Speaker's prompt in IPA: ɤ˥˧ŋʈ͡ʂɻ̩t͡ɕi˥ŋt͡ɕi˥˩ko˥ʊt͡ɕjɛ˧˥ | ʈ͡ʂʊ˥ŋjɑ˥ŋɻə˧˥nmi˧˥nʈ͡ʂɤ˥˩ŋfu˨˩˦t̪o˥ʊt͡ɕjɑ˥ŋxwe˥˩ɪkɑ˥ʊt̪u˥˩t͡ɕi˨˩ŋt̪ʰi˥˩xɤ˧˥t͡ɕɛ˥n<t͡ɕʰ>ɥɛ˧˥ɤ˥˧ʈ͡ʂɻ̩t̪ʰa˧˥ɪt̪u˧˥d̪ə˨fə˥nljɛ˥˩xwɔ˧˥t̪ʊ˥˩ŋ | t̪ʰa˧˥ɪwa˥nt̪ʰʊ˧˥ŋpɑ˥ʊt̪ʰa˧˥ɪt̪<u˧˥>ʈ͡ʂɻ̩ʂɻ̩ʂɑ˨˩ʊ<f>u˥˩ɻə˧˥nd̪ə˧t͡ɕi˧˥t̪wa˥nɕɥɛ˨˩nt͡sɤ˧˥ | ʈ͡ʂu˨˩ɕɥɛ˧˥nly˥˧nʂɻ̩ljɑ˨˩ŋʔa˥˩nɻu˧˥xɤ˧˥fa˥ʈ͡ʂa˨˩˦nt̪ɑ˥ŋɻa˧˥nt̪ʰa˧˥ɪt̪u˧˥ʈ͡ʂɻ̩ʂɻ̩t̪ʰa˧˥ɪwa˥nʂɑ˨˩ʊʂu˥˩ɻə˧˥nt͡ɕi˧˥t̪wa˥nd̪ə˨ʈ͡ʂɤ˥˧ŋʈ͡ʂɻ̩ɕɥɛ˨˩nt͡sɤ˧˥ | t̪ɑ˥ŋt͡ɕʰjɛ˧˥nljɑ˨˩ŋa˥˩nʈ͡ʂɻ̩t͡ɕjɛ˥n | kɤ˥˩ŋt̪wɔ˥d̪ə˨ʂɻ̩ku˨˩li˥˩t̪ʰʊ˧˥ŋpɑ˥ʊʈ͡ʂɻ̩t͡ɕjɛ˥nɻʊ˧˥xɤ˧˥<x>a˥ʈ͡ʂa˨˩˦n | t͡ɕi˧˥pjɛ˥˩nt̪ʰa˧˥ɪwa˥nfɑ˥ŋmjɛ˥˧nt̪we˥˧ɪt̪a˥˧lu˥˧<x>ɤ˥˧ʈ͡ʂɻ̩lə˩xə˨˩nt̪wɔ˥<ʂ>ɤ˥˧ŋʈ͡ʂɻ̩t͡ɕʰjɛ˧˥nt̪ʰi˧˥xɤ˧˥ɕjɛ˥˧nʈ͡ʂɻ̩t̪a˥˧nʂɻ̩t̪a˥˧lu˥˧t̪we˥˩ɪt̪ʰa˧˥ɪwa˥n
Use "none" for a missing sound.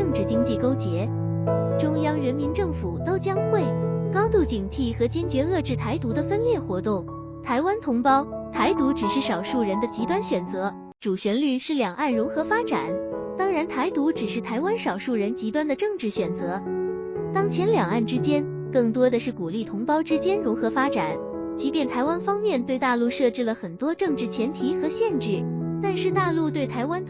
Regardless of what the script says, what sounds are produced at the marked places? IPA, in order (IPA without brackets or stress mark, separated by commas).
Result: t͡ɕ, u˧˥, ʂ, f, ʂ, ʈ͡ʂ